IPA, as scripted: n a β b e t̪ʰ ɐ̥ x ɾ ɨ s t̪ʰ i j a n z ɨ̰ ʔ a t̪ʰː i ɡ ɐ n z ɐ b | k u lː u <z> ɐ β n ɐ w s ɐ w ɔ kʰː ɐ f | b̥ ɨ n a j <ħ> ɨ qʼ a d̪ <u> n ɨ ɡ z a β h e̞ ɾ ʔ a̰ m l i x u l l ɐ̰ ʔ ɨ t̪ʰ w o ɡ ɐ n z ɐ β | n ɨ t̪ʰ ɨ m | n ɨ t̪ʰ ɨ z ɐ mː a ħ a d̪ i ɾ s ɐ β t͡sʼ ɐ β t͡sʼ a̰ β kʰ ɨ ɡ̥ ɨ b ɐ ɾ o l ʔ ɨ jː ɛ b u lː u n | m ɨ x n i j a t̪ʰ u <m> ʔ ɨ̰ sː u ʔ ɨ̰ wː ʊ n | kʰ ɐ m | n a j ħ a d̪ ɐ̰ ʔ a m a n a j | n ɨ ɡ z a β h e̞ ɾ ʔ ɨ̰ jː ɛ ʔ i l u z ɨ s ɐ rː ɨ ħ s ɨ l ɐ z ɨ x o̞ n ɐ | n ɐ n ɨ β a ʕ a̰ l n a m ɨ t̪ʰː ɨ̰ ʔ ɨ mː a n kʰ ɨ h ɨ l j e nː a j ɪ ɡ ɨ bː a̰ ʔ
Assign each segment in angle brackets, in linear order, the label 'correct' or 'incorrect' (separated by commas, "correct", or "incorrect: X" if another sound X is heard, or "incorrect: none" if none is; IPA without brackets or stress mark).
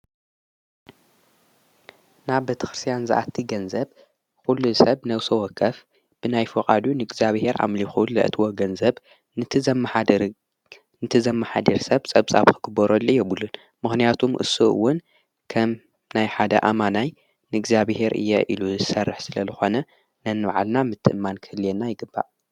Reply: incorrect: s, incorrect: f, correct, correct